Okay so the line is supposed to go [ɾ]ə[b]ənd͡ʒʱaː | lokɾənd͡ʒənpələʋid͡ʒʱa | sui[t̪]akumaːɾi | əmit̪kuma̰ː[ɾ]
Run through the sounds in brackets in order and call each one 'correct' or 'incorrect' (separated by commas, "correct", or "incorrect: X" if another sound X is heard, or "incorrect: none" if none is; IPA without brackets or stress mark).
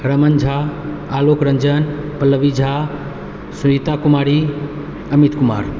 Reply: correct, incorrect: m, correct, correct